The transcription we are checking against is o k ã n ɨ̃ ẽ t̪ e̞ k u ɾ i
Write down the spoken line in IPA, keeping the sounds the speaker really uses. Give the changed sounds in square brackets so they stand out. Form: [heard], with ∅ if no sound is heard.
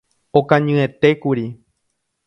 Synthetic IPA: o k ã [ɲ] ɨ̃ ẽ t̪ e̞ k u ɾ i